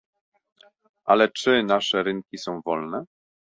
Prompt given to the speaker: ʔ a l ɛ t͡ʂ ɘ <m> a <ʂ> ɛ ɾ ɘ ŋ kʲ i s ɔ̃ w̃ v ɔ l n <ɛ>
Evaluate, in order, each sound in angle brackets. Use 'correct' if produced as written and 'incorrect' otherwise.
incorrect, correct, correct

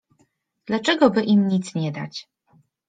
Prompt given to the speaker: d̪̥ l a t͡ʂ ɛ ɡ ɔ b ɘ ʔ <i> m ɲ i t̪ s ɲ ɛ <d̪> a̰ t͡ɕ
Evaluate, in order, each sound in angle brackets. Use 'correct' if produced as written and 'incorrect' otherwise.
correct, correct

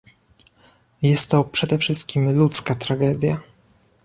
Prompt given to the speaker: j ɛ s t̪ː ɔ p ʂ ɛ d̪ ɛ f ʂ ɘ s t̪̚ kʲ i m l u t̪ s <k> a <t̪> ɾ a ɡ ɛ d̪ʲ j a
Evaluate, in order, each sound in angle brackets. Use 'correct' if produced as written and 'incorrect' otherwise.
correct, correct

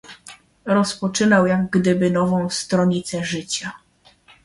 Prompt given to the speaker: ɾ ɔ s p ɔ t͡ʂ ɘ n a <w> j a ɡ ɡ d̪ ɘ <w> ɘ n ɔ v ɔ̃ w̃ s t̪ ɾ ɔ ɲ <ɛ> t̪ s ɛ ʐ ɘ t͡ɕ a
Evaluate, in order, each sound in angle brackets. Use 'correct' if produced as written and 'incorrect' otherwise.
correct, incorrect, incorrect

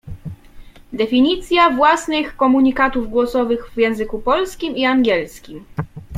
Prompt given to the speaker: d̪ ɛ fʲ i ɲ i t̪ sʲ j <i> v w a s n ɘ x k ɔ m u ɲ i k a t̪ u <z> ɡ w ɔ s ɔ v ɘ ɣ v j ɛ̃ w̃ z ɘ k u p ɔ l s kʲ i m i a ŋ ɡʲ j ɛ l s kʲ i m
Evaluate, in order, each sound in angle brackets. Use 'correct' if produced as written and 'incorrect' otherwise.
incorrect, incorrect

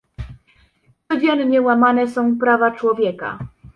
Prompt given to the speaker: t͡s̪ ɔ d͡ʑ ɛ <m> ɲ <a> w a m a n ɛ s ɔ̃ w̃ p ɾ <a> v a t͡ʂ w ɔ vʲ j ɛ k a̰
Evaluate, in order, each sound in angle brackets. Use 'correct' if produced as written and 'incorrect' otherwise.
incorrect, incorrect, correct

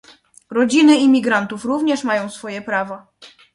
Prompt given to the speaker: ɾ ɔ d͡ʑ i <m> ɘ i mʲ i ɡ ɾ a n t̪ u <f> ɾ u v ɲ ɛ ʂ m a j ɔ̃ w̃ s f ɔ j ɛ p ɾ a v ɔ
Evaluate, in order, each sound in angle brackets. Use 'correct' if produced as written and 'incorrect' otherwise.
incorrect, correct

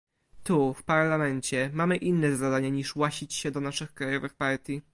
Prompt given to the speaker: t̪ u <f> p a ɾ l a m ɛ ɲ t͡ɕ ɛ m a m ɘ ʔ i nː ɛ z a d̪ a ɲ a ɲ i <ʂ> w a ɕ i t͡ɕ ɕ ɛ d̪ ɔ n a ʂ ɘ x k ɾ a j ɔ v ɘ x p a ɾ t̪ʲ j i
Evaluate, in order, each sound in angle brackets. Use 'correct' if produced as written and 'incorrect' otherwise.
correct, correct

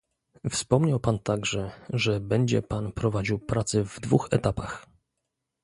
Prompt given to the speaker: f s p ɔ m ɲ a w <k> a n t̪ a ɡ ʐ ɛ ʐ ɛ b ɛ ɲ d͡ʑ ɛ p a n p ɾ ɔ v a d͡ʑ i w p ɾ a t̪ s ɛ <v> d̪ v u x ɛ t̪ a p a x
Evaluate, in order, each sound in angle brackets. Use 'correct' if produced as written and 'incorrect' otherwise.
incorrect, correct

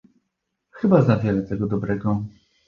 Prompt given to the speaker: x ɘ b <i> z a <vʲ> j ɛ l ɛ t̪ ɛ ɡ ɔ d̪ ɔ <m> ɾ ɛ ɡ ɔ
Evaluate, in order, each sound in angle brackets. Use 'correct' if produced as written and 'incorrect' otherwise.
incorrect, correct, incorrect

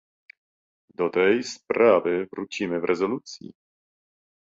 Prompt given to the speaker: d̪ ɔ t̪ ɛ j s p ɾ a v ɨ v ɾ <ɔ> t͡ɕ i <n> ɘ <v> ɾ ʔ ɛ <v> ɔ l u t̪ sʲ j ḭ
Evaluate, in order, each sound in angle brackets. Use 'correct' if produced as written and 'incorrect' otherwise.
incorrect, incorrect, correct, incorrect

